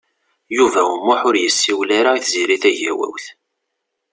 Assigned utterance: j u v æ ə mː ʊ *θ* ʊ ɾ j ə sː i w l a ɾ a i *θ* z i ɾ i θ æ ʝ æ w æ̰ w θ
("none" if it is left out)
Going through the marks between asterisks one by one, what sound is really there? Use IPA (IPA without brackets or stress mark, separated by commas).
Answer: ħ, θ